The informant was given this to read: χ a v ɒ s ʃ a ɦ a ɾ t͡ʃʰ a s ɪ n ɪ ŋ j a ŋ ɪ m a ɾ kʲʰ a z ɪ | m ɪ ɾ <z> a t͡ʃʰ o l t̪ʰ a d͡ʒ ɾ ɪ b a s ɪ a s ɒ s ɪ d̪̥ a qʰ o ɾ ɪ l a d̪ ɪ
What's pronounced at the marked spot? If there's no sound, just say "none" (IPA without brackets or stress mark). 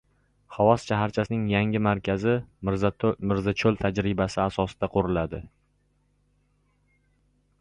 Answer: z